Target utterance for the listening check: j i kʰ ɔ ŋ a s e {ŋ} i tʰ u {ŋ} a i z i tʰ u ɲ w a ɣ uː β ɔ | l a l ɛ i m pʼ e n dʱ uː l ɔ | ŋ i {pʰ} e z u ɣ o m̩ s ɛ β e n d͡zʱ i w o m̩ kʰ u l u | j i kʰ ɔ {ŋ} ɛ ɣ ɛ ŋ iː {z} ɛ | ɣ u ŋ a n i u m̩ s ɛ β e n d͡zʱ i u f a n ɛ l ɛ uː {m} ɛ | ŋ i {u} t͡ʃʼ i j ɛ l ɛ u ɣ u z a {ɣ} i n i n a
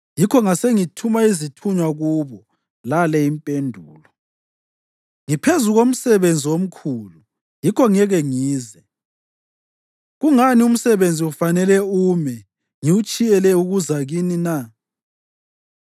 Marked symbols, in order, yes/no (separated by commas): yes, no, yes, yes, yes, yes, yes, yes